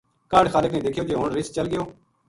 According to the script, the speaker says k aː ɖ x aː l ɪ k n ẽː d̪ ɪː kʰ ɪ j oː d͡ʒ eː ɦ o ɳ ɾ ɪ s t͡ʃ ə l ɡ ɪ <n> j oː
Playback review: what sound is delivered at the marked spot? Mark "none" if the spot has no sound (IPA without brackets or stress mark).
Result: none